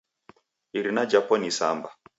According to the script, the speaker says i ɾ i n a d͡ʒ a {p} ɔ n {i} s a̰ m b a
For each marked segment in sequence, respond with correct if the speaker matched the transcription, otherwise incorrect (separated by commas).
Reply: correct, correct